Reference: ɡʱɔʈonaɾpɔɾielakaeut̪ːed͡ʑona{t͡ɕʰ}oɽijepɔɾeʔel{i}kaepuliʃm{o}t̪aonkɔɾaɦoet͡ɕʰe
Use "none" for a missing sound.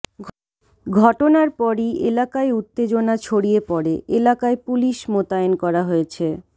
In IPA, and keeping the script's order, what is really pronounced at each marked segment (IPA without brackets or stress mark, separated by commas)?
t͡ɕʰ, a, o